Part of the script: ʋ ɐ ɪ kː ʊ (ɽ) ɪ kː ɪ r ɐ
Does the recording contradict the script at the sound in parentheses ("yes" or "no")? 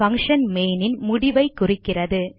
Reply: yes